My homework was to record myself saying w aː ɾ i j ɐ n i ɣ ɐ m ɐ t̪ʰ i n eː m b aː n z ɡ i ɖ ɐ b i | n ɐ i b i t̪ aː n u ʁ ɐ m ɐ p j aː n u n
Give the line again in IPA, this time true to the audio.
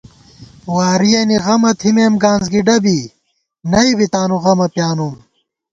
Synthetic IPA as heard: w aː ɾ i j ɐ n i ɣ ɐ m ɐ t̪ʰ i m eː m ɡ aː n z ɡ i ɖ ɐ b i | n ɐ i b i t̪ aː n u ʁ ɐ m ɐ p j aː n u m